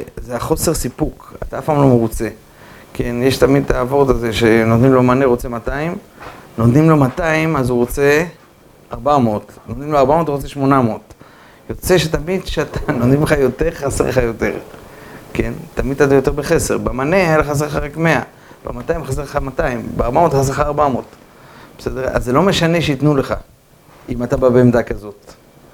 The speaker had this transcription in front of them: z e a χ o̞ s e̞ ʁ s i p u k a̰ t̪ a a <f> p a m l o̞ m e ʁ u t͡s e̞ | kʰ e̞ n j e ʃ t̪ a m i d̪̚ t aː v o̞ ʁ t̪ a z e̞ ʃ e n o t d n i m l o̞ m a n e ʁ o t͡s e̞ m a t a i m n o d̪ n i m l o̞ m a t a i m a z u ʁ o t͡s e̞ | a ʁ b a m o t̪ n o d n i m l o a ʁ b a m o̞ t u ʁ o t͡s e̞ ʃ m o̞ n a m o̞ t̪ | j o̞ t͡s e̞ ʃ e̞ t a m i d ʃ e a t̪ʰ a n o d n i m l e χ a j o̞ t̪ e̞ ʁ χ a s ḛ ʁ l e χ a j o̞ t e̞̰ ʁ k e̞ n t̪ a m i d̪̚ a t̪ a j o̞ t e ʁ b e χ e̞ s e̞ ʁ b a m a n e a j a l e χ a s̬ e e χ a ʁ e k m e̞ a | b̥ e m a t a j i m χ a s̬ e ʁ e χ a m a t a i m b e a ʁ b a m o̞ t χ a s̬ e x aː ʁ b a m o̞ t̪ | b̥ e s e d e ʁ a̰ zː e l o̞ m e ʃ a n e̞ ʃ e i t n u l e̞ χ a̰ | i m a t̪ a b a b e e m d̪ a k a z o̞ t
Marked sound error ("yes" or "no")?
no